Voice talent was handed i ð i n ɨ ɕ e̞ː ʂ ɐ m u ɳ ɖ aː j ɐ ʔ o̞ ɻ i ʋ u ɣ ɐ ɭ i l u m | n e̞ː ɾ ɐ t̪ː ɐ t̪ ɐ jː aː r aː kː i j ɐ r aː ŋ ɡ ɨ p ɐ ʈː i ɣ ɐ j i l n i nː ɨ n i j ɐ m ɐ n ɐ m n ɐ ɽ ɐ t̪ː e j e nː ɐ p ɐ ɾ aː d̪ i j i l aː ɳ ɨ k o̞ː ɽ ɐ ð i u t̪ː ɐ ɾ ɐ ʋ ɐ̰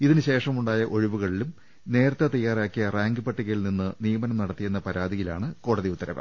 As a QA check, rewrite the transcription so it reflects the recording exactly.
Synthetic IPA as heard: i ð i n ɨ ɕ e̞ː ʂ ɐ m u ɳ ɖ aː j ɐ ʔ o̞ ɻ i ʋ u ɣ ɐ ɭ i l u m | n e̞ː ɾ ɐ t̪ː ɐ t̪ ɐ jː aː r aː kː i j ɐ r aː ŋ ɡ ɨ p ɐ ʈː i ɣ ɐ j i l n i nː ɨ n i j ɐ m ɐ n ɐ m n ɐ ɽ ɐ t̪ː i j e nː ɐ p ɐ ɾ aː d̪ i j i l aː ɳ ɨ k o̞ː ɽ ɐ ð i u t̪ː ɐ ɾ ɐ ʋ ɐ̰